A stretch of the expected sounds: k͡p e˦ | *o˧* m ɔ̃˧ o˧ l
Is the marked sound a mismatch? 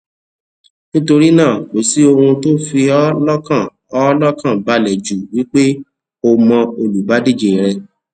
no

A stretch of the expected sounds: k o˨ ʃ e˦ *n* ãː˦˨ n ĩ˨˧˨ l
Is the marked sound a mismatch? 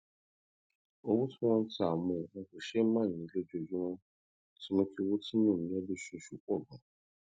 yes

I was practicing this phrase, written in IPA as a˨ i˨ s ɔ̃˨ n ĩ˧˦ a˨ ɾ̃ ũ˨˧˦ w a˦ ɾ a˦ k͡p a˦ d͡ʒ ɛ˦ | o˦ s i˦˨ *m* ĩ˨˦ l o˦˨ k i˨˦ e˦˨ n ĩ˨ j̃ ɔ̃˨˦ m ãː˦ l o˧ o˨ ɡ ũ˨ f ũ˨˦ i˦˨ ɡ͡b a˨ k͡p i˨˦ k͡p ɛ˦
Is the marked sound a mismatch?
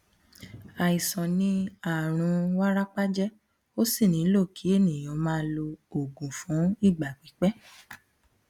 yes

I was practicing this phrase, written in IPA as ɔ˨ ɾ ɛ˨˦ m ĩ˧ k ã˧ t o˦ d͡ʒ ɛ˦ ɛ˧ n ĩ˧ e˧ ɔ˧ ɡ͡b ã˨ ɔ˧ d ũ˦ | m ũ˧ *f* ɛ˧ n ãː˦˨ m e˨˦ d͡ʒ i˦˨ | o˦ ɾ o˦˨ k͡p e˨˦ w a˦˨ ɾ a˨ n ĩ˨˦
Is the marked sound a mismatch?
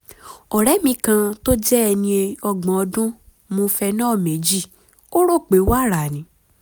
no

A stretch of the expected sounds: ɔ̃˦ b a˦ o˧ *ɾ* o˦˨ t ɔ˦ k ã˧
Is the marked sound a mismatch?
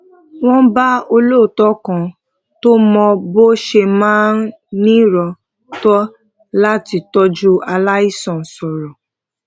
yes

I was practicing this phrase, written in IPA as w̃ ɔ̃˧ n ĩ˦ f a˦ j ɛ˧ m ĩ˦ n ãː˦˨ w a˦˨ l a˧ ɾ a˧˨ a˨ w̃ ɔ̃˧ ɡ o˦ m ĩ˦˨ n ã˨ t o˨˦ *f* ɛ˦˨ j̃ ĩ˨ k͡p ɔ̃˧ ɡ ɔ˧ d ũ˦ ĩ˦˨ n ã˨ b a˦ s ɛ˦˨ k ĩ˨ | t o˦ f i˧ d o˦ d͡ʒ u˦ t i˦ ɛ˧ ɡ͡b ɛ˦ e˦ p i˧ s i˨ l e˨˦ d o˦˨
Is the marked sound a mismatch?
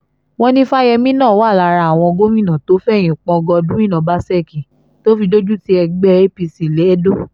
no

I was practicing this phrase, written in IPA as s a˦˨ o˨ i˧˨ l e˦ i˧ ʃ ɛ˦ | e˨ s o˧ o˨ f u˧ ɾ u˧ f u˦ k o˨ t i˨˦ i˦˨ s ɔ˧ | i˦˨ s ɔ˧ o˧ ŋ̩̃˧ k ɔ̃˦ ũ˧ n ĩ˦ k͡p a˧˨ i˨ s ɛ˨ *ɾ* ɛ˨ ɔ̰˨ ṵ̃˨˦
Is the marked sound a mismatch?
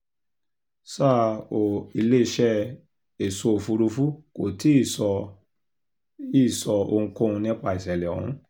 yes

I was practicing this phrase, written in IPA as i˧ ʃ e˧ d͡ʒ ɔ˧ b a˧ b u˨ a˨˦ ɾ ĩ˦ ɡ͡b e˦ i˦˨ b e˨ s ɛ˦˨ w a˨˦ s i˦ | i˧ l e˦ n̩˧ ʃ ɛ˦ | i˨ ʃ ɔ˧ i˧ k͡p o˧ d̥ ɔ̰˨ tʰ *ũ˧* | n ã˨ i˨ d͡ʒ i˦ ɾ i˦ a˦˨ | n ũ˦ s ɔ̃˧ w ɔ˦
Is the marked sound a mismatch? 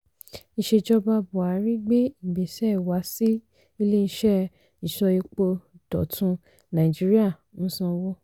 no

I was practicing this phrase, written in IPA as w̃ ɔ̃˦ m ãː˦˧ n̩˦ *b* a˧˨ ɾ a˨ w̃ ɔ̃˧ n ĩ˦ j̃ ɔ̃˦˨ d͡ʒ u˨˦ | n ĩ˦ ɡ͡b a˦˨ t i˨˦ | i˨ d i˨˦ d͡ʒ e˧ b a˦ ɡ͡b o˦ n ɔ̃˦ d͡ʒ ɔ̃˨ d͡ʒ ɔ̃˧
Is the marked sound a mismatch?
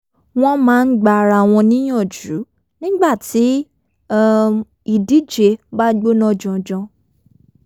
yes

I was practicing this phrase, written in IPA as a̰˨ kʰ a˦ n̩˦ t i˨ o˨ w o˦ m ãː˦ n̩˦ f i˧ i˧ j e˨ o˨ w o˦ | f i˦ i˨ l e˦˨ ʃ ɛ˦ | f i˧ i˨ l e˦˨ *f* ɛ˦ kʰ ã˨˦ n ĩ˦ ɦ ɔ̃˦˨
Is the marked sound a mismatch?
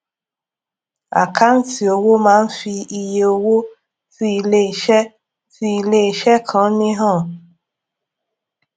yes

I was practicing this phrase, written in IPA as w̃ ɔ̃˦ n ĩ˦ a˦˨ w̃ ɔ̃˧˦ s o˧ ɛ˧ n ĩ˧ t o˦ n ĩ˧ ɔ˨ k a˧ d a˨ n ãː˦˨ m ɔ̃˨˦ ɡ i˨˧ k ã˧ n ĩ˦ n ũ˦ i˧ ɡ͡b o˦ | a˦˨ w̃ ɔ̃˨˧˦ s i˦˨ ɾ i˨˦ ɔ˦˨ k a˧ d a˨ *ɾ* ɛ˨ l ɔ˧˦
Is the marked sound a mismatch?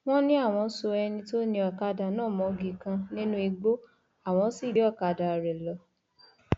no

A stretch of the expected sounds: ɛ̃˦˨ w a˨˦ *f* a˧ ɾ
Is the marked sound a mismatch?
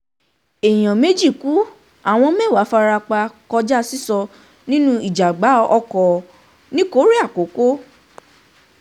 no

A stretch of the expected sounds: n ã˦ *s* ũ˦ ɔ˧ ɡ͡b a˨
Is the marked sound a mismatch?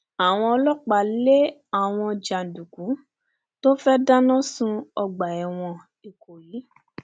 no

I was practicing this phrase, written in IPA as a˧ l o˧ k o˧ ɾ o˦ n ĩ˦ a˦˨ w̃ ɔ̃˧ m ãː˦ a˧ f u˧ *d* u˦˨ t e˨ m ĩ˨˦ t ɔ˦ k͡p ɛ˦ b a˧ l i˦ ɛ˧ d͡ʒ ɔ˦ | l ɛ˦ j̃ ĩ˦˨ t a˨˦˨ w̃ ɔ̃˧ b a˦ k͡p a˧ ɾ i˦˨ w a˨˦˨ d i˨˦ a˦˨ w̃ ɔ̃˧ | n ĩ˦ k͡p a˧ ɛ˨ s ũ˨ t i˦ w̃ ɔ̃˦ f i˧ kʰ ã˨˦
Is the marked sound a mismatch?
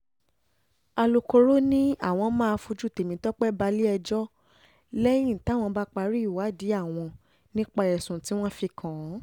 yes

